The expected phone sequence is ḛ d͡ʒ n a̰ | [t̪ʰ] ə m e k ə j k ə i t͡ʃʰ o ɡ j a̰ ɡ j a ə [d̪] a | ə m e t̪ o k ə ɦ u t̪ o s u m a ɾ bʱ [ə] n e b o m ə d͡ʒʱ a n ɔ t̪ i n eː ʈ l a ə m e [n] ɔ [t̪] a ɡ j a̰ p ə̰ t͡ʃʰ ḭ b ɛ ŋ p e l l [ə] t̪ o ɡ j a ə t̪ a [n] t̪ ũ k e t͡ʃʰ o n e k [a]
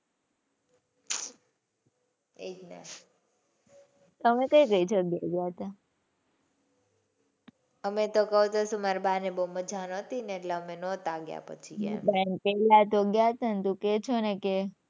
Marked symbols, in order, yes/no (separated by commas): no, no, no, yes, yes, no, yes, no